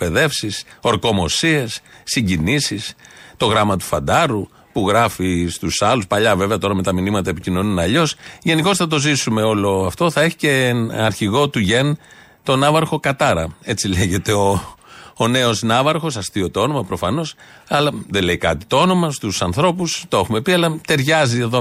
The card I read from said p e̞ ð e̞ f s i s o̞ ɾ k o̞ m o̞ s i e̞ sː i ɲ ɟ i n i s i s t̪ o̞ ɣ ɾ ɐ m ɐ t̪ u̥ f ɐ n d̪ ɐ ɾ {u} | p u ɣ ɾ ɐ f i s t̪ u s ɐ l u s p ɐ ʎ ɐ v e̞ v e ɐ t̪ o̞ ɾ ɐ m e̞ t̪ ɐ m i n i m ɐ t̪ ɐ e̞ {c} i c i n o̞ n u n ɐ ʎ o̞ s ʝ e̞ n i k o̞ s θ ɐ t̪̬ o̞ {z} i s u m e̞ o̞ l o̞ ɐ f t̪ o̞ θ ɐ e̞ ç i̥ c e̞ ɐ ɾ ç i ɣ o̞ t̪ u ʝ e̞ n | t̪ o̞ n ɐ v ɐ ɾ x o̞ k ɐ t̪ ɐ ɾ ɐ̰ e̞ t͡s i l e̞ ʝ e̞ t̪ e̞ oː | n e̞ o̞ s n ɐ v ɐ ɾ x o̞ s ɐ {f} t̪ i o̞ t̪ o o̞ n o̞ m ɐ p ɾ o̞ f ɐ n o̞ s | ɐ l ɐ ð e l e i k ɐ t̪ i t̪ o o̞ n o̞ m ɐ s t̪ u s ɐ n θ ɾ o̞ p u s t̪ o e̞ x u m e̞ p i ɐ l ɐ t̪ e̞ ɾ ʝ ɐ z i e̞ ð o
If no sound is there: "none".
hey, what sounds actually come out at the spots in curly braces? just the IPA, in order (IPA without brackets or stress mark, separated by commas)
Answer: u, p, z, s